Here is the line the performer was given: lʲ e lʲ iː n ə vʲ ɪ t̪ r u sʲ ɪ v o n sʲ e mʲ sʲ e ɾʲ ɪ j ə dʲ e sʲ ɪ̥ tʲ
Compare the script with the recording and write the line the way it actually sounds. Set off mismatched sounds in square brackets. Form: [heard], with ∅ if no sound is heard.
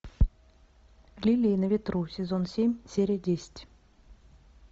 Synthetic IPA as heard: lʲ [i] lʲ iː n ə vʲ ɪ t̪ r u sʲ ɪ [z] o n sʲ e mʲ sʲ e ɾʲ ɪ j ə dʲ e sʲ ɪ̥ tʲ